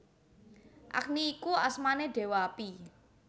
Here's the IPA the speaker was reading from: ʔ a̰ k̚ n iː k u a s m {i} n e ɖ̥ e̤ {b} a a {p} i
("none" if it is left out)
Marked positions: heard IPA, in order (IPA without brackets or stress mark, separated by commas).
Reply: a, w, p